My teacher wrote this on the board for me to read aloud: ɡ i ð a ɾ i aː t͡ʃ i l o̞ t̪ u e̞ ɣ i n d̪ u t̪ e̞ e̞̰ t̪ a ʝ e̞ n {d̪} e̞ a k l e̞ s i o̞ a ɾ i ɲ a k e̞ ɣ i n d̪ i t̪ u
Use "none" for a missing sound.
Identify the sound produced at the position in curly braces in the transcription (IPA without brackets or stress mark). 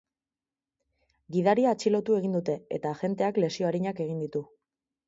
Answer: t̪